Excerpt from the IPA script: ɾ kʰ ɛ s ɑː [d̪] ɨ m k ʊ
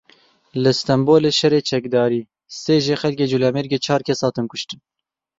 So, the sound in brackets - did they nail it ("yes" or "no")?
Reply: no